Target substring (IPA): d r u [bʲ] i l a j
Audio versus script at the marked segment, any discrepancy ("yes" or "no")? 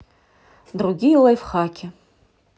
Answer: yes